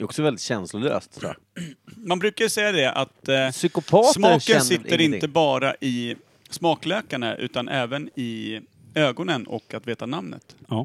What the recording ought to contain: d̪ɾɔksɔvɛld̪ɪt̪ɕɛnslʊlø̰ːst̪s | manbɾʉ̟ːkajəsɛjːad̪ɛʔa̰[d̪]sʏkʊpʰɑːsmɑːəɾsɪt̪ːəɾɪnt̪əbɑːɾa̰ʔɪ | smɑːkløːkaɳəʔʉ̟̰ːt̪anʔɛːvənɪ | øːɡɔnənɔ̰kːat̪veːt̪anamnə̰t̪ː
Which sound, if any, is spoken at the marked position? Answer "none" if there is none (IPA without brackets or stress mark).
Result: t̪